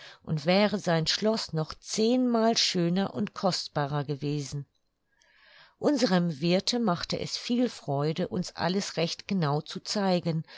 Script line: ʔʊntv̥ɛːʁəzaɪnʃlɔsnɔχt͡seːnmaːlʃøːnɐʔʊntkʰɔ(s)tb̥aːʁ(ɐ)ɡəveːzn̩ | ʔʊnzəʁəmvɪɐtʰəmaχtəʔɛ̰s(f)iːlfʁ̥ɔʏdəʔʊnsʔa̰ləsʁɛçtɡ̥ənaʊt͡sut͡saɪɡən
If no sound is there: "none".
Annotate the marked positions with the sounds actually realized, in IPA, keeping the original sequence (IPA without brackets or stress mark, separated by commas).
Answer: s, ɐ, f